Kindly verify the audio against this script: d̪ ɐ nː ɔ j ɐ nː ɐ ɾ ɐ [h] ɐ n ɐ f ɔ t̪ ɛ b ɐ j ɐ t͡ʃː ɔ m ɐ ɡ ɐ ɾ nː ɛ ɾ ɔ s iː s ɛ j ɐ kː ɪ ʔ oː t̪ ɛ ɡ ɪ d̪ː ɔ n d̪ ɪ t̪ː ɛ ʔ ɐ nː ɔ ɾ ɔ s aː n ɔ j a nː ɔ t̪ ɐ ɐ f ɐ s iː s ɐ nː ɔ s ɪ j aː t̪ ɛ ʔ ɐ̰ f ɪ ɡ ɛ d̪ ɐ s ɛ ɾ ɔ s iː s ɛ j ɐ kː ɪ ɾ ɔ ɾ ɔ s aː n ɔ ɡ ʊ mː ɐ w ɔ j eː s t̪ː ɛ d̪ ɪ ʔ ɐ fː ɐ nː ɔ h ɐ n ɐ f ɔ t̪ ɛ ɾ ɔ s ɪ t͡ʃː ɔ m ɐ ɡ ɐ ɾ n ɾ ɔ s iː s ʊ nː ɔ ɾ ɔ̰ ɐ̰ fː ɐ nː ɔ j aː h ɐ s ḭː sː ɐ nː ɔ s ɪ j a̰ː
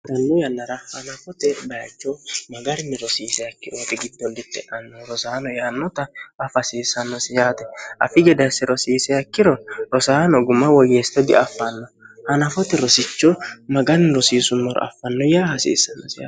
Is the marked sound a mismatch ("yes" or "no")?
no